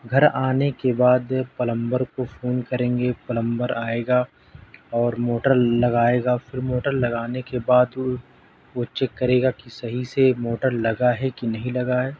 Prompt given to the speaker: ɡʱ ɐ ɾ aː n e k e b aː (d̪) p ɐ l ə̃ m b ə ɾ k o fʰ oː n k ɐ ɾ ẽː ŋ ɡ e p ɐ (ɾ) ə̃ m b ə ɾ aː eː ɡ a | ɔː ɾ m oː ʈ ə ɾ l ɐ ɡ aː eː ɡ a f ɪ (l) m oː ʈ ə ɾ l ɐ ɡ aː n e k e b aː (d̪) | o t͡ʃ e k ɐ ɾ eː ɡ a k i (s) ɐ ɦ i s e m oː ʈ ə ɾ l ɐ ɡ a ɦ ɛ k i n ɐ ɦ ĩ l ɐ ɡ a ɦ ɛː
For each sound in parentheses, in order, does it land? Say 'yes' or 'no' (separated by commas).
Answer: yes, no, no, yes, yes